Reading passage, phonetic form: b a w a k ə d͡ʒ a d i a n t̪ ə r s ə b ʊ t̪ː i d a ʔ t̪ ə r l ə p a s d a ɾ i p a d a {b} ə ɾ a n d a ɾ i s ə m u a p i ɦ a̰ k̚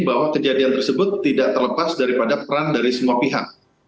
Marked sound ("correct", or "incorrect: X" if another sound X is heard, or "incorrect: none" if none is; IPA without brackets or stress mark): incorrect: p